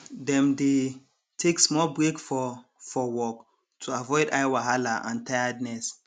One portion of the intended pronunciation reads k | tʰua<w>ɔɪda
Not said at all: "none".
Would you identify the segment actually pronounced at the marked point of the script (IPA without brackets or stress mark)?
v